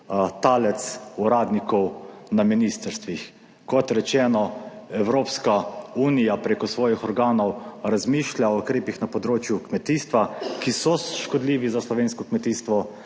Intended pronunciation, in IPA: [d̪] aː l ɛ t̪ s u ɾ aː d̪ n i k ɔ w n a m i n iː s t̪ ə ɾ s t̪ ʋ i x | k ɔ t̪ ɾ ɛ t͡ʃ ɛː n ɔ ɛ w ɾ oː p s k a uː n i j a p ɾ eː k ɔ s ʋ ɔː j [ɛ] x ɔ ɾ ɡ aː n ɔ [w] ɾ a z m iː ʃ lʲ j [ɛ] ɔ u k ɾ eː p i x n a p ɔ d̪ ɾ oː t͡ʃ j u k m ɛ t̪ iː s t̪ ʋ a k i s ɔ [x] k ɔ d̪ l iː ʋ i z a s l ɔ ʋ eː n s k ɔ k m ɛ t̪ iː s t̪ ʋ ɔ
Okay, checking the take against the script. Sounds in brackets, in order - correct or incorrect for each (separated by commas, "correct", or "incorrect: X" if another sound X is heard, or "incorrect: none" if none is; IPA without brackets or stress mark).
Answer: incorrect: t̪, incorrect: i, correct, incorrect: a, incorrect: ʃ